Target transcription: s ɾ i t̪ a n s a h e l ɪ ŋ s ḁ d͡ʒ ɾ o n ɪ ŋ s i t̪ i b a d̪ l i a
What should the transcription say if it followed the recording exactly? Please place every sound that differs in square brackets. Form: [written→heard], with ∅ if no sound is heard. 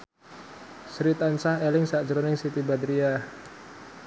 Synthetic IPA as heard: s ɾ i t̪ a n s a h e l ɪ ŋ s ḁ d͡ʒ ɾ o n ɪ ŋ s i t̪ i b a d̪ [l→ɾ] i a